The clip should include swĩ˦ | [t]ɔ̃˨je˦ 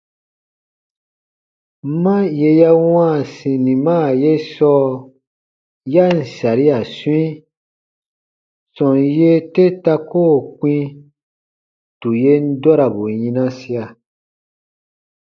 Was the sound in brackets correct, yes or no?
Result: no